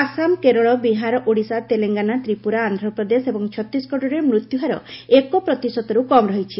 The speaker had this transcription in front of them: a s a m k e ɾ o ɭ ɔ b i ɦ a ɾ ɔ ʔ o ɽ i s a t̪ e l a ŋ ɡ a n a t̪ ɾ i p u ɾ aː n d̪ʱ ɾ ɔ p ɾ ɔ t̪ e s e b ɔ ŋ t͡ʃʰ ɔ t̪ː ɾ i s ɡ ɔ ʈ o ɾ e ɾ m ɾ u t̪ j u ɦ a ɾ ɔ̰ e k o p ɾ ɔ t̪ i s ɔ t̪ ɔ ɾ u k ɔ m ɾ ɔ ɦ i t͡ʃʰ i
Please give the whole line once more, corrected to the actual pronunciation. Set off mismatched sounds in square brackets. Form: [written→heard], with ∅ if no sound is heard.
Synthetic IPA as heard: a s a m k e ɾ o ɭ ɔ b i ɦ a ɾ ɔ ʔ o ɽ i s a t̪ e l [a→e] ŋ ɡ a n a t̪ ɾ i p u ɾ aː n d̪ʱ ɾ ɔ p ɾ ɔ [t̪→d̪] e s e b ɔ ŋ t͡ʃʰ ɔ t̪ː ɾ i s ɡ ɔ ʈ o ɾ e ɾ m ɾ u t̪ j u ɦ a ɾ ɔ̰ e k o p ɾ ɔ t̪ i s ɔ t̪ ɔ ɾ u k ɔ m ɾ ɔ ɦ i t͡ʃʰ i